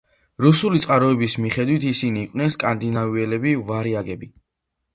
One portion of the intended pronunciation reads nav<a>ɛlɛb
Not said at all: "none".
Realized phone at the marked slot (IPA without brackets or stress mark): i